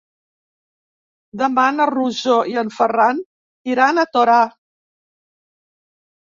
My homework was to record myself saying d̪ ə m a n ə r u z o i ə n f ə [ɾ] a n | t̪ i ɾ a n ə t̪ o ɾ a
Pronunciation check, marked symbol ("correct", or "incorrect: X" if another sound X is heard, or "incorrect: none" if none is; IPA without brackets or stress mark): incorrect: r